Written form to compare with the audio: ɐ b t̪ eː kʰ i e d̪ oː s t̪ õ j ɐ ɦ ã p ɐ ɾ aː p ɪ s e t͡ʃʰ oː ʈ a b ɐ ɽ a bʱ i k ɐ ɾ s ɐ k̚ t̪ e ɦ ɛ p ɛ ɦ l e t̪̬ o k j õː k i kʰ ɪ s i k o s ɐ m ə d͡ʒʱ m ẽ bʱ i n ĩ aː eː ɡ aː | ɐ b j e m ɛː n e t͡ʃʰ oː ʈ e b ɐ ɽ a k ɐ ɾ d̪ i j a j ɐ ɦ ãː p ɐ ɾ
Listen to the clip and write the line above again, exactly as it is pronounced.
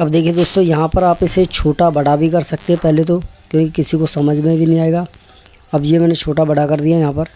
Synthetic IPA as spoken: ɐ b d̪ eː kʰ i e d̪ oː s t̪ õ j ɐ ɦ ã p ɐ ɾ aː p ɪ s e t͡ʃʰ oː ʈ a b ɐ ɽ a bʱ i k ɐ ɾ s ɐ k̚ t̪ e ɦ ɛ p ɛ ɦ l e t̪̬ o k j õː k i k ɪ s i k o s ɐ m ə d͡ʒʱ m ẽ bʱ i n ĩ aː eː ɡ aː | ɐ b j e m ɛː n e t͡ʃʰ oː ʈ a b ɐ ɽ a k ɐ ɾ d̪ i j a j ɐ ɦ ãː p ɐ ɾ